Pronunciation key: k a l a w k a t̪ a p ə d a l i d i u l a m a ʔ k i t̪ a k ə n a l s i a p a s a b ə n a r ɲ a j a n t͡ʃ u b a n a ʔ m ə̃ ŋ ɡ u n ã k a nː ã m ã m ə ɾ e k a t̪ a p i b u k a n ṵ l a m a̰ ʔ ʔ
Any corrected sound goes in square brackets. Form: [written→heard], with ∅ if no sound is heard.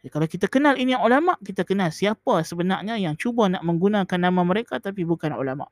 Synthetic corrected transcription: k a l a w k [a→i] t̪ a [p→k] ə [d→n] a l i [d→n] i u l a m a ʔ k i t̪ a k ə n a l s i a p a s [a→ə] b ə n a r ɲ a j a [n→ŋ] t͡ʃ u b a n a ʔ m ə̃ ŋ ɡ u n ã k a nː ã m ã m ə ɾ e k a t̪ a p i b u k a n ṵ l a m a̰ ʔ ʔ